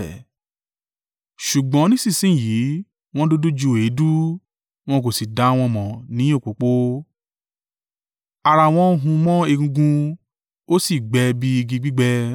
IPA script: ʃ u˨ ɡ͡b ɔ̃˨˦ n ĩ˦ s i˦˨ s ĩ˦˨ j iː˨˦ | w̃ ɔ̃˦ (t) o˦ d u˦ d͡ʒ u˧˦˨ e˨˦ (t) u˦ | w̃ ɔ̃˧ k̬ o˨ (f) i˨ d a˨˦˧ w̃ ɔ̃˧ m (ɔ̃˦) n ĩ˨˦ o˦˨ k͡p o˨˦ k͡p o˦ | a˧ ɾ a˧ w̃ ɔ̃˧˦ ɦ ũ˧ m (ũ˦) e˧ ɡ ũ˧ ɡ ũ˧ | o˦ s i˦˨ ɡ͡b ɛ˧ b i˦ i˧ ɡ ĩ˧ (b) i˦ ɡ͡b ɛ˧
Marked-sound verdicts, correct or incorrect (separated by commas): incorrect, incorrect, incorrect, incorrect, incorrect, incorrect